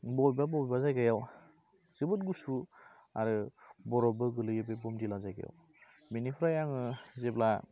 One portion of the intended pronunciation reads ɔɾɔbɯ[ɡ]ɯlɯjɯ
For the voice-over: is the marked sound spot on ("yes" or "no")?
yes